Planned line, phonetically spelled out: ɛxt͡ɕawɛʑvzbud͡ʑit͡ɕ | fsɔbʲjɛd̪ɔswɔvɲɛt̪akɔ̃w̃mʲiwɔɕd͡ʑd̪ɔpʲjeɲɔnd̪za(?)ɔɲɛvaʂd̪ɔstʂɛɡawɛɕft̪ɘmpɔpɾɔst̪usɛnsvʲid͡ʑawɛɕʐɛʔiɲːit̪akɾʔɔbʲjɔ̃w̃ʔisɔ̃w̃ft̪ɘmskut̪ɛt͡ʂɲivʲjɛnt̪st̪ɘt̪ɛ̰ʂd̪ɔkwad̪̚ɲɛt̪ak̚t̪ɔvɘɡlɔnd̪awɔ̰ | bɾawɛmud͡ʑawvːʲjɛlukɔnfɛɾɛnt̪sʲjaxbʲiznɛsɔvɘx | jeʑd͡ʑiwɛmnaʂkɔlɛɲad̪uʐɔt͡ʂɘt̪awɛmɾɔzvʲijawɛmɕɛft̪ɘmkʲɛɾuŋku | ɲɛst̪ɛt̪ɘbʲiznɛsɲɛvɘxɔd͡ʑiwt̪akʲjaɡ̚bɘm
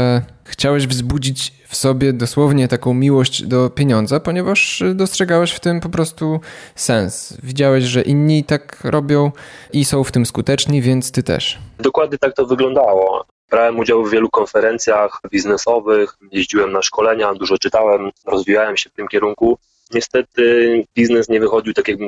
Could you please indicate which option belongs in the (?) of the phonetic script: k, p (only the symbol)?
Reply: p